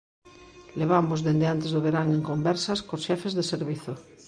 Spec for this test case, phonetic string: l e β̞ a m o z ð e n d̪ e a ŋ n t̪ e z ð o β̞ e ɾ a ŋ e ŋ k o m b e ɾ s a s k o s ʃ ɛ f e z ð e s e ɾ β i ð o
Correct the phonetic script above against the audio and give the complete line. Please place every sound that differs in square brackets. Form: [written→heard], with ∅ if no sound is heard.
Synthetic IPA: l e β̞ a m o z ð e n d̪ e a [ŋ→∅] n t̪ e z ð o β̞ e ɾ a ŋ e ŋ k o m b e ɾ s a s k o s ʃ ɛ f e z ð e s e ɾ β i [ð→θ] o